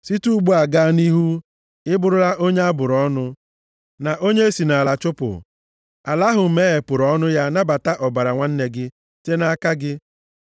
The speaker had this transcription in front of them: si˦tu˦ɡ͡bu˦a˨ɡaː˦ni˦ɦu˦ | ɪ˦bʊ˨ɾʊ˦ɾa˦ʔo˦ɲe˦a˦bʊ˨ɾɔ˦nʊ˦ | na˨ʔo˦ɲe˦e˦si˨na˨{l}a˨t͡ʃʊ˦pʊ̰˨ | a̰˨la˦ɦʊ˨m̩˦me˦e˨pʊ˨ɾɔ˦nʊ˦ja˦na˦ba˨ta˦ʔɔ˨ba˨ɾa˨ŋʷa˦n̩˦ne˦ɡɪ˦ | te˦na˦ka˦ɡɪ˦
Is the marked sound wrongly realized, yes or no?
no